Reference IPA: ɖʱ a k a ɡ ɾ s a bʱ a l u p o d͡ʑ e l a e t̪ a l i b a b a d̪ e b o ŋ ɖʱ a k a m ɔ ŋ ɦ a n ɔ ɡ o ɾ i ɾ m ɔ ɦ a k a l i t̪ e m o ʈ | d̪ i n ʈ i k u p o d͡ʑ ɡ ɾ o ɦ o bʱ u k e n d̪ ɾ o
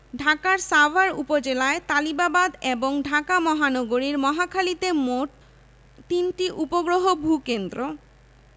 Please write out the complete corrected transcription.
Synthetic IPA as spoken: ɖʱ a k a ɾ s a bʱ a ɾ u p o d͡ʑ e l a e t̪ a l i b a b a d̪ e b o ŋ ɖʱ a k a m ɔ ɦ a n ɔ ɡ o ɾ i ɾ m ɔ ɦ a kʰ a l i t̪ e m o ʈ | t̪ i n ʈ i ʔ u p o ɡ ɾ o ɦ o bʱ u k e n d̪ ɾ o